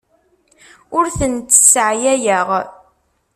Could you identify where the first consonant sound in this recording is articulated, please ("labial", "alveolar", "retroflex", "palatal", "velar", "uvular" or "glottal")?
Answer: alveolar